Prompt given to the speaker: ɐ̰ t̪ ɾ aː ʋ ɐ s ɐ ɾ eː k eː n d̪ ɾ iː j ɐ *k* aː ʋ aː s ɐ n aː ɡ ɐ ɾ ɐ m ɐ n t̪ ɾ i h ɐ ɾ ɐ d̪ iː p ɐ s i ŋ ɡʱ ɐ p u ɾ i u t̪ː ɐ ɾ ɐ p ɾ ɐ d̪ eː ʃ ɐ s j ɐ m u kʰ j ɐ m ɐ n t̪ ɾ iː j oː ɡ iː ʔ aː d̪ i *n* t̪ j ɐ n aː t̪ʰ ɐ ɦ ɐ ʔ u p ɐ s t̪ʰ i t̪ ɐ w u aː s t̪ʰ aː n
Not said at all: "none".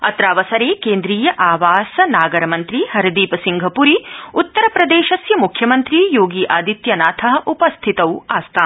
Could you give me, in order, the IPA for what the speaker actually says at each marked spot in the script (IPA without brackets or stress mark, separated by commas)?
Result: ʔ, none